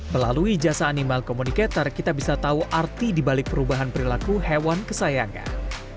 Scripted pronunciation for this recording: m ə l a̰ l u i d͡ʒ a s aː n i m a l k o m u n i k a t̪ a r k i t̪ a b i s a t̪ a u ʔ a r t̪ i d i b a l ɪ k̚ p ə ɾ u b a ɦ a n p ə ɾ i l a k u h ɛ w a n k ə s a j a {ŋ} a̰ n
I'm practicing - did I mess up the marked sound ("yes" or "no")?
no